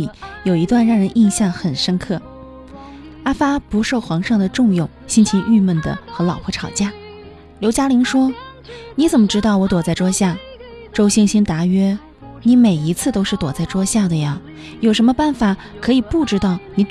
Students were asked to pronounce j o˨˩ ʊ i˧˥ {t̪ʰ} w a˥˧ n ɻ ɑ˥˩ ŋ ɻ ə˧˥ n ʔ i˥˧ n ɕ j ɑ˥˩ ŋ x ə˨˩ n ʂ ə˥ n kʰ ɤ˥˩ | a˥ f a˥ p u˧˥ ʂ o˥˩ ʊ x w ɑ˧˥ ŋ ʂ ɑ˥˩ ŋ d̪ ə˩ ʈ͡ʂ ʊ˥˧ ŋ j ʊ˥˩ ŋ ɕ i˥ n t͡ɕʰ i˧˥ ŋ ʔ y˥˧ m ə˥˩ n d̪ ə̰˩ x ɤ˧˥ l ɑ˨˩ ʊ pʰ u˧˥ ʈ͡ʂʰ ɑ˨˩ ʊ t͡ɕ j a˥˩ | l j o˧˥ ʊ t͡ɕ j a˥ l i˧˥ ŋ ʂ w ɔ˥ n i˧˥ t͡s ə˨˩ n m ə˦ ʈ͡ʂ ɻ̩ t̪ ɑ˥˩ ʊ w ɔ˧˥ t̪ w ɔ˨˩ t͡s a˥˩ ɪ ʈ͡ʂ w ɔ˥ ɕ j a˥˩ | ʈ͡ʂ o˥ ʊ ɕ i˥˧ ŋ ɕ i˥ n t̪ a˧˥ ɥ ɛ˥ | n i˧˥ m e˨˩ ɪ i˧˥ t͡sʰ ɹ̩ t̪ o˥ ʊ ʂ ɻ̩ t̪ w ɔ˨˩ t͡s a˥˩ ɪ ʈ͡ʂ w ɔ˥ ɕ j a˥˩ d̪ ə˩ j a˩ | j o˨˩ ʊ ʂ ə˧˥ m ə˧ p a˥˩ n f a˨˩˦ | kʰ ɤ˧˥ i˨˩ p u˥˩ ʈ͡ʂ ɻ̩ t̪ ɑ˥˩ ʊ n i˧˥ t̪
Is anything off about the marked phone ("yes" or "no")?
yes